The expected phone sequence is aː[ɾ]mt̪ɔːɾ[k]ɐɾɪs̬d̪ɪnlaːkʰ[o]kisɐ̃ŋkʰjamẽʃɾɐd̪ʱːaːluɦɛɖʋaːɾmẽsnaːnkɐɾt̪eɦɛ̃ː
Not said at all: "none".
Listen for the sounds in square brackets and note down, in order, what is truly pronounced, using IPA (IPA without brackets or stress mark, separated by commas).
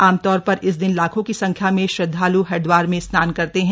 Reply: none, p, õ